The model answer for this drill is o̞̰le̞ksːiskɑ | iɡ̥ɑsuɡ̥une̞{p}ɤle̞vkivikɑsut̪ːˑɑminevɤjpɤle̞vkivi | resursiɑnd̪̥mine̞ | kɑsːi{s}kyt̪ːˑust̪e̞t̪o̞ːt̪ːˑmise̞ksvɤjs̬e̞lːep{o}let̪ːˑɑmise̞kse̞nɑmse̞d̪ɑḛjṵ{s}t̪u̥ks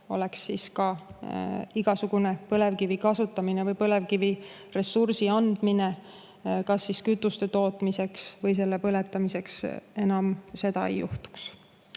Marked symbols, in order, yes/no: yes, yes, no, no

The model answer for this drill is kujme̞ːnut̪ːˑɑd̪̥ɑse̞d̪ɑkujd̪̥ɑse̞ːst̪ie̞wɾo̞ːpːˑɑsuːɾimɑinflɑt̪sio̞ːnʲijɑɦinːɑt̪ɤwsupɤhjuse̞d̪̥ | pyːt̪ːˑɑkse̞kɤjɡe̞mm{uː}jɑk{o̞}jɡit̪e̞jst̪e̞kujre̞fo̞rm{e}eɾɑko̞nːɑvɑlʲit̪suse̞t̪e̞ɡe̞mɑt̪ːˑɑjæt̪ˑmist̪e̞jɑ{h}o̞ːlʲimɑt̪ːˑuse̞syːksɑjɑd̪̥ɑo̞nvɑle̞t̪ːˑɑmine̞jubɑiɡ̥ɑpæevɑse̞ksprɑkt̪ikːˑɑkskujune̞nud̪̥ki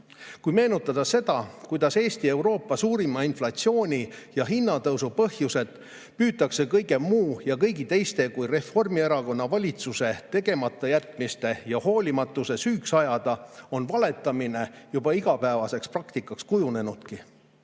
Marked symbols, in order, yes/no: yes, no, no, yes

